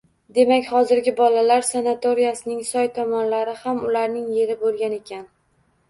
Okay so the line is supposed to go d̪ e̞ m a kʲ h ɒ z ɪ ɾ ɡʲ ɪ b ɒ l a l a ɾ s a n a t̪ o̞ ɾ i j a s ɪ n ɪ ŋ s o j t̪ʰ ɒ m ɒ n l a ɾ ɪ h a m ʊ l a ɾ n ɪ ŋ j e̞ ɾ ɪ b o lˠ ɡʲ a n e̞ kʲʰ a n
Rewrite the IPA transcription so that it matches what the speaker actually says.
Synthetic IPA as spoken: d̪ e̞ m a kʲ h ɒ z ɪ ɾ ɡʲ ɪ b ɒ l a l a ɾ s a n a t̪ o̞ ɾ i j a s ɪ n ɪ ŋ s ɒ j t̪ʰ ɒ m ɒ n l a ɾ ɪ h a m ʊ l a ɾ n ɪ ŋ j e̞ ɾ ɪ b o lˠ ɡʲ a n e̞ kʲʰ a n